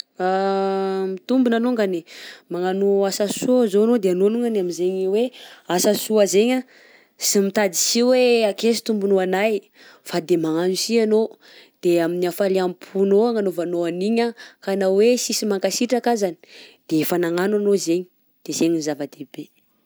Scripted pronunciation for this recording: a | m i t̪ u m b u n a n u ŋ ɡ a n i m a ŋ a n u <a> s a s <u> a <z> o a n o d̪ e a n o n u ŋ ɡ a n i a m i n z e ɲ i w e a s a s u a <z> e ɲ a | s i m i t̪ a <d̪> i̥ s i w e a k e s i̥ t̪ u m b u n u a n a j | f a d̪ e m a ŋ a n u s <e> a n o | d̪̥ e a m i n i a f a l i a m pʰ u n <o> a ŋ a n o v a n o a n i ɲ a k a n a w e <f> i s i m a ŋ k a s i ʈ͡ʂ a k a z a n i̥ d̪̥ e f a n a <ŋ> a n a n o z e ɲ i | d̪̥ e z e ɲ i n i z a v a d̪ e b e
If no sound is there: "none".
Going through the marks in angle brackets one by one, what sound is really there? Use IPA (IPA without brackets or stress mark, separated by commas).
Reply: a, u, z, z, d̪, i, o, s, ŋ